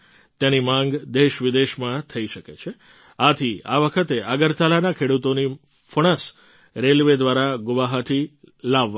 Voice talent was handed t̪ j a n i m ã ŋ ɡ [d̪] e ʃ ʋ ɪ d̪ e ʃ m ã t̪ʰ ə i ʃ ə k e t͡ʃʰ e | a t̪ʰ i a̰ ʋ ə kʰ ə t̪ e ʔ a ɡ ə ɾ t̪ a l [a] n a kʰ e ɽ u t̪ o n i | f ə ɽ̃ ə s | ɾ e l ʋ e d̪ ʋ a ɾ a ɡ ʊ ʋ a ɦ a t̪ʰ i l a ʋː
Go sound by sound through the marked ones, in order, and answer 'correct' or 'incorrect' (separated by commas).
correct, correct